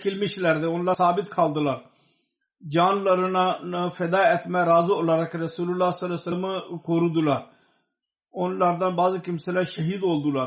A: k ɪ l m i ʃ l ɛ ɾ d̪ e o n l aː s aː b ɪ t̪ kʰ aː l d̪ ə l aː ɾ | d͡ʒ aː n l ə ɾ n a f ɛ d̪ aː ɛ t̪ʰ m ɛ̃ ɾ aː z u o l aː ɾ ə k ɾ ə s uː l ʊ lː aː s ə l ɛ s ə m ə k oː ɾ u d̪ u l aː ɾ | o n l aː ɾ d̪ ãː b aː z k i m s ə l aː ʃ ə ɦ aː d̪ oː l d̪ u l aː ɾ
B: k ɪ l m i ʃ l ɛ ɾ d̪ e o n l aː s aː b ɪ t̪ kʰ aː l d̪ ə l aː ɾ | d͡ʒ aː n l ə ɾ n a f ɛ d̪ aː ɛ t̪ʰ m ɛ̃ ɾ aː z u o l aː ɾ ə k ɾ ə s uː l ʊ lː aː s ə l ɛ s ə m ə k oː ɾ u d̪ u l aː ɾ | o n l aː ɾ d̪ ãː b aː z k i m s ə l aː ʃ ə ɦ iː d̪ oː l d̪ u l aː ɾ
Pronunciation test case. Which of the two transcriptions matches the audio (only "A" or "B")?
B